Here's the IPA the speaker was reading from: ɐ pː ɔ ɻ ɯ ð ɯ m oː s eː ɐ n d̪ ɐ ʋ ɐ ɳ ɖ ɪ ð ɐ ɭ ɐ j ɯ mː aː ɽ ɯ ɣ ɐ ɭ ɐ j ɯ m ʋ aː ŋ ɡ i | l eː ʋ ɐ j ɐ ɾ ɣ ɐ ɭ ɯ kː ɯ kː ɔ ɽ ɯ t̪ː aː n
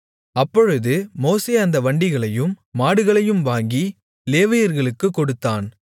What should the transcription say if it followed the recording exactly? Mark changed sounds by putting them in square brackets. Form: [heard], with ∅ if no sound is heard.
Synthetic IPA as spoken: ɐ pː ɔ ɻ ɯ ð ɯ m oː s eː ɐ n d̪ ɐ ʋ ɐ ɳ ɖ ɪ [ɣ] ɐ ɭ ɐ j ɯ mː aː ɽ ɯ ɣ ɐ ɭ ɐ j ɯ m ʋ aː ŋ ɡ i | l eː ʋ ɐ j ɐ ɾ ɣ ɐ ɭ ɯ kː ɯ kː ɔ ɽ ɯ t̪ː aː n